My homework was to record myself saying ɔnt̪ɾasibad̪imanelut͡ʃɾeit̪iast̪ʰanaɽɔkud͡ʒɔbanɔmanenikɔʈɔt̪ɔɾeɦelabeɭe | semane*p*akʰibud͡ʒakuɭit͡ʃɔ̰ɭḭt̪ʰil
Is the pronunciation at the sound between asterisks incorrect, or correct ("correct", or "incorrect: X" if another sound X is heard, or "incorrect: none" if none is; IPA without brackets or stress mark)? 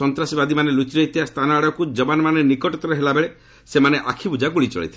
incorrect: ʔ